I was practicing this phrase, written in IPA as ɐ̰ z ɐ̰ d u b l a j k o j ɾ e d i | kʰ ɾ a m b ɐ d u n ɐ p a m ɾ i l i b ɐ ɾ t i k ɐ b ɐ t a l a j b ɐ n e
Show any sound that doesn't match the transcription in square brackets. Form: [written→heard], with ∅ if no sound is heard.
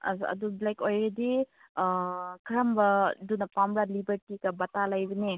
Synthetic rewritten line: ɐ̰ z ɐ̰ d u b l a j k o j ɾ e d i | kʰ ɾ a m b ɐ d u n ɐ p a m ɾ [i→a] l i b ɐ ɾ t i k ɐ b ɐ t a l a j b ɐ n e

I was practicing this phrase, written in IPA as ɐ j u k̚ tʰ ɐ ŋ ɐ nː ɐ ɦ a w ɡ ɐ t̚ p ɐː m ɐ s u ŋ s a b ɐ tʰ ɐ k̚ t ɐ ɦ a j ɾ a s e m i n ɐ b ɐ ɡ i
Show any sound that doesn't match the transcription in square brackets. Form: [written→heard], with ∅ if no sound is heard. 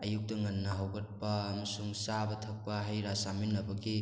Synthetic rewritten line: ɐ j u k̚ [tʰ→t] ɐ ŋ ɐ nː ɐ ɦ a w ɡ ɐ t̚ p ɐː m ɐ s u ŋ s a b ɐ tʰ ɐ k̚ [t→p] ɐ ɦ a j ɾ a s [e→a] m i n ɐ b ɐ ɡ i

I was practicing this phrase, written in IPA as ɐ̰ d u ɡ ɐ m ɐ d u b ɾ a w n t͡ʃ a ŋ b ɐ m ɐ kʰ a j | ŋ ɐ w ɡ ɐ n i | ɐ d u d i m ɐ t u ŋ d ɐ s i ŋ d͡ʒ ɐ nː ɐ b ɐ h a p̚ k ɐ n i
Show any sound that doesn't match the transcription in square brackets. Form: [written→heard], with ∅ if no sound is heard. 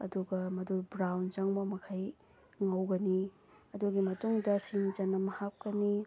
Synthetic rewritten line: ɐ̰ d u ɡ ɐ m ɐ d u b ɾ a w n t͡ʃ a ŋ b ɐ m ɐ kʰ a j | ŋ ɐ w ɡ ɐ n i | ɐ d u [d→ɡ] i m ɐ t u ŋ d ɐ s i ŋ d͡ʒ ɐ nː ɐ [b→m] ɐ h a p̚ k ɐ n i

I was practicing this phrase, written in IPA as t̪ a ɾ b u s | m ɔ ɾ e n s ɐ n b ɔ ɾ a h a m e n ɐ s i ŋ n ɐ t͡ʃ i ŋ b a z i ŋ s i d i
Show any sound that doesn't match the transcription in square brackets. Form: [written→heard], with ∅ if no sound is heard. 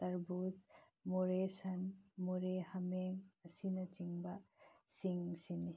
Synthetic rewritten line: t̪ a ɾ b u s | m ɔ ɾ e [n→∅] s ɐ n [b→m] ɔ ɾ [a→e] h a m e [n→ŋ] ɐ s i [ŋ→∅] n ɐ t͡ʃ i ŋ b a [z→s] i ŋ s i [d→n] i

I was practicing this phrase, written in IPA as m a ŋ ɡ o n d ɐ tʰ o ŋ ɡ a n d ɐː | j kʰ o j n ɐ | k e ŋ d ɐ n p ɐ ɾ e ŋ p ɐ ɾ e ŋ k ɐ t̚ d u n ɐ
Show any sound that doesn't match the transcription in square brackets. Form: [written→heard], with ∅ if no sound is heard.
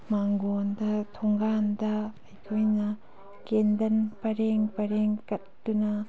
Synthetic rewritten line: m a ŋ ɡ o n d ɐ tʰ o ŋ ɡ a n d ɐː | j kʰ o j n ɐ | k e [ŋ→n] d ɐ n p ɐ ɾ e ŋ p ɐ ɾ e ŋ k ɐ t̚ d u n ɐ

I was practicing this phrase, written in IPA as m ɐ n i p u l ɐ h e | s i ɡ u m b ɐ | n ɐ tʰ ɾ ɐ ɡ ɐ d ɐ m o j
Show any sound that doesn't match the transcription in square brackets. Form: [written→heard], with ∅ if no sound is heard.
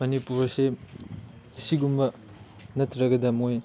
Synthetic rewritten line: m ɐ n i p u [l→ɾ] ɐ [h→s] e | s i ɡ u m b ɐ | n ɐ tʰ ɾ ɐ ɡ ɐ d ɐ m o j

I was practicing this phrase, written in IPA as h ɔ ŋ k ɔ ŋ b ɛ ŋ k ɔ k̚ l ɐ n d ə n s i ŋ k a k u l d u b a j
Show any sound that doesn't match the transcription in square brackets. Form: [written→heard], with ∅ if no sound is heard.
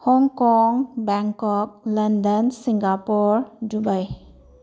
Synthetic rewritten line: h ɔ ŋ k ɔ ŋ b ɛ ŋ k ɔ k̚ l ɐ n d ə n s i ŋ [k→ɡ] a [k→p] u [l→ɾ] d u b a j

